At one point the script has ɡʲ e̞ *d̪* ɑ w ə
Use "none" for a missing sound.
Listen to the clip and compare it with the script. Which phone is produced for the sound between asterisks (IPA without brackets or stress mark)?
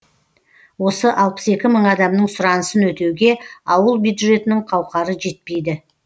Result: none